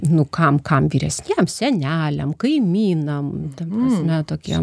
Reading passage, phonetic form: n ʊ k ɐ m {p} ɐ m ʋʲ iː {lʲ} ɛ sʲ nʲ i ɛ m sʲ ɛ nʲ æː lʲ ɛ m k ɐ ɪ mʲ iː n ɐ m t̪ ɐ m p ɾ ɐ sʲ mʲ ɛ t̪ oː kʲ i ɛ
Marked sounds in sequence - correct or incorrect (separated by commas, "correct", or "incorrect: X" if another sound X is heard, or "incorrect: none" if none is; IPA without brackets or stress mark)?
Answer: incorrect: k, incorrect: ɾʲ